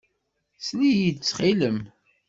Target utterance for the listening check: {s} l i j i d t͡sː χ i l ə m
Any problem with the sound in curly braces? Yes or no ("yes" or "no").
no